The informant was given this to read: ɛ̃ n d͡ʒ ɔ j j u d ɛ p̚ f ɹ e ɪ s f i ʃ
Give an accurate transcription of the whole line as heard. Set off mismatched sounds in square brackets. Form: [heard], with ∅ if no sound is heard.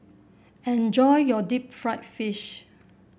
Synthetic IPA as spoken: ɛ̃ n d͡ʒ ɔ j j [ɔ] d [i] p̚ f ɹ [a] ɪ [t] f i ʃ